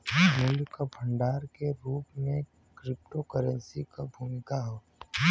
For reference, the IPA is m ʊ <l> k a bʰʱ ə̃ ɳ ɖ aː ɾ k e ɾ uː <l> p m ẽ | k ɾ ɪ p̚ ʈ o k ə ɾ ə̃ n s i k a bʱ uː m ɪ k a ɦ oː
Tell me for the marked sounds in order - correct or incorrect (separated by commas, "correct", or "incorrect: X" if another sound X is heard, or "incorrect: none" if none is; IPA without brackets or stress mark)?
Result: correct, incorrect: none